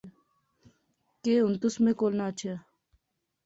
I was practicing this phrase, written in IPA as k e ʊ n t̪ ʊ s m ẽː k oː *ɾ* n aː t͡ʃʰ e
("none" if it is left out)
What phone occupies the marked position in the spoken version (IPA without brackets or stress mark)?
l